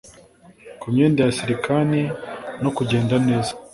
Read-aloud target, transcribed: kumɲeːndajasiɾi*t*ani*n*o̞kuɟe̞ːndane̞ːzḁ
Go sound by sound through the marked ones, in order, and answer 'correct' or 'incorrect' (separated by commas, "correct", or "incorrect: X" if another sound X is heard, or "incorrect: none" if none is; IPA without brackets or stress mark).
incorrect: k, correct